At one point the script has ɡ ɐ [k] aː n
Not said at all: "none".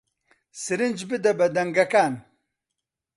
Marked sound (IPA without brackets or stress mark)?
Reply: k